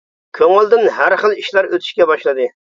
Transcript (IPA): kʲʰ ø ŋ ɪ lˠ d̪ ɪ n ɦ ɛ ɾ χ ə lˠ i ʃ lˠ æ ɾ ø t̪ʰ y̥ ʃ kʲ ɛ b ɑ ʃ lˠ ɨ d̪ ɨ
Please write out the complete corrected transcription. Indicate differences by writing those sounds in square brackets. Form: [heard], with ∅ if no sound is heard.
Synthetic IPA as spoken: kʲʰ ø ŋ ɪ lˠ d̪ ɪ n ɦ [æ] ɾ χ ə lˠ i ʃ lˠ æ ɾ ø t̪ʰ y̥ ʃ kʲ ɛ b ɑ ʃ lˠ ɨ d̪ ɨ